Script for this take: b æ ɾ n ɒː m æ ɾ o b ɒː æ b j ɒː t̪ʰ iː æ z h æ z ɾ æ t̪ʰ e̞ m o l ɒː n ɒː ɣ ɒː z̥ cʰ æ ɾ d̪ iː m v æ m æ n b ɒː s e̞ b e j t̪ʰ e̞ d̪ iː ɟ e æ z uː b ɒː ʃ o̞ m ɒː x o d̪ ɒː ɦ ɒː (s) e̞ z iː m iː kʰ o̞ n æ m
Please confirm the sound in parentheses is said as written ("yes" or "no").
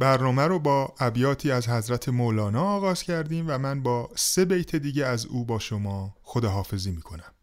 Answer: no